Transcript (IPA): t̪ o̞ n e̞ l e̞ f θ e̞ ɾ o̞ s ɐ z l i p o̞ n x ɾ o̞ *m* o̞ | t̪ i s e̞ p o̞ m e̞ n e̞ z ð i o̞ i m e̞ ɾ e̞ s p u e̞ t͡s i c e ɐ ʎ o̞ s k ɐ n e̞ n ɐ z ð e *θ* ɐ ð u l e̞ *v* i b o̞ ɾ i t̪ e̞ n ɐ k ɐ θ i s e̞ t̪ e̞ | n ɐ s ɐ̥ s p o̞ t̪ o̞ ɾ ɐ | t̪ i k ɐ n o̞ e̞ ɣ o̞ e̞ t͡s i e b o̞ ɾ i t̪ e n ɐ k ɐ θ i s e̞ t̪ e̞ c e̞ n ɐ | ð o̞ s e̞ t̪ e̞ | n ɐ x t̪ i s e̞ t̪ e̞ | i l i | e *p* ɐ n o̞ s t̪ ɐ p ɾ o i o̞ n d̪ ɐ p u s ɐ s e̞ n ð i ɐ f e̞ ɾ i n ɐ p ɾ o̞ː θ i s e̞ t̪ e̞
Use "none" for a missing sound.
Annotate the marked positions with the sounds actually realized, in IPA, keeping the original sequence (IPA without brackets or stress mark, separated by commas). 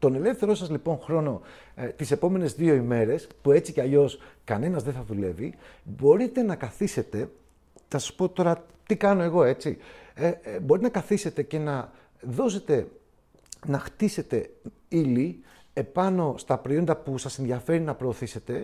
n, θ, v, p